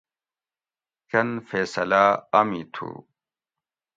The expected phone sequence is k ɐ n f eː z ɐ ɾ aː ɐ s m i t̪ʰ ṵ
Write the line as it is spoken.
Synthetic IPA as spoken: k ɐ n f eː s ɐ l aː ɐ m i t̪ʰ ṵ